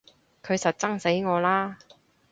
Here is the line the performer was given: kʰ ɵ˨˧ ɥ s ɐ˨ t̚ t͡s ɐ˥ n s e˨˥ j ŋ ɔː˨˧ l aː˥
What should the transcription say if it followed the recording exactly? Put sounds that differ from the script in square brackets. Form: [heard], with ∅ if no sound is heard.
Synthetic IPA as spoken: kʰ ɵ˨˧ ɥ s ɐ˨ t̚ t͡s ɐ˥ [ŋ] s e˨˥ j ŋ ɔː˨˧ l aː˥